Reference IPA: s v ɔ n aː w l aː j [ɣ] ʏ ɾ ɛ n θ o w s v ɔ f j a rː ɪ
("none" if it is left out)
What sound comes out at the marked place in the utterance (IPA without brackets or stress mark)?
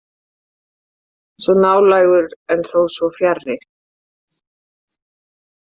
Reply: ɣ